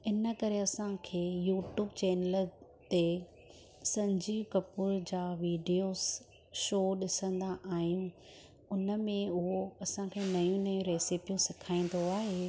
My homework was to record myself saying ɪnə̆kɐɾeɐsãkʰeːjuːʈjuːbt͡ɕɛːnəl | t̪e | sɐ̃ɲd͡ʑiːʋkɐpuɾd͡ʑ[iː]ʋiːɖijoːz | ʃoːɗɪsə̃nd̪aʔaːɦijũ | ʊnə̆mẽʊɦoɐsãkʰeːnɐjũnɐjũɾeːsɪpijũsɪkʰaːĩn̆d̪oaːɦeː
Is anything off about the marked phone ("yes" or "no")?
yes